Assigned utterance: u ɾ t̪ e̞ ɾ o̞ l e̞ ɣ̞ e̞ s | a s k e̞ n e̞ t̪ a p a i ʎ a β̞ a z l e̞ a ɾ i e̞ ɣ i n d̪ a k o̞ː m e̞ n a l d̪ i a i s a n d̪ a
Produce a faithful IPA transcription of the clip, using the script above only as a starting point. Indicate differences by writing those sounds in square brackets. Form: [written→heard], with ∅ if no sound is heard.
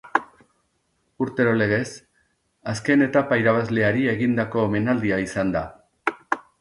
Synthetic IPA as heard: u ɾ t̪ e̞ ɾ o̞ l e̞ ɣ̞ e̞ s | a s k e̞ n e̞ t̪ a p a i [ʎ→ɾ] a β̞ a z l e̞ a ɾ i e̞ ɣ i n d̪ a k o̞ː m e̞ n a l d̪ i a i s a n d̪ a